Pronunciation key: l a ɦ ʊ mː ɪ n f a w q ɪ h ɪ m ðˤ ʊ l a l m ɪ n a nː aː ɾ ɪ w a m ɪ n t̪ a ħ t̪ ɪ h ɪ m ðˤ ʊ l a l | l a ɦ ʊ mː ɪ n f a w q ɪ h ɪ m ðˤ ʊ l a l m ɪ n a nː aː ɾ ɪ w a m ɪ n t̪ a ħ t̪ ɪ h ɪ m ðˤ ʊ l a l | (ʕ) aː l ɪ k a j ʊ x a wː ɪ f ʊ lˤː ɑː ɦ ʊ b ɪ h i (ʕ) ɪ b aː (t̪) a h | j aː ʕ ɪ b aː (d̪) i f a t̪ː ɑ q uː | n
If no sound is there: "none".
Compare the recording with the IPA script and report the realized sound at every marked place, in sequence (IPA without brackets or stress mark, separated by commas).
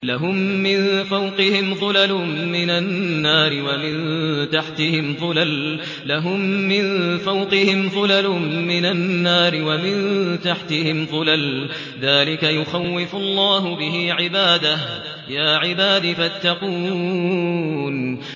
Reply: ð, ʕ, d̪, d̪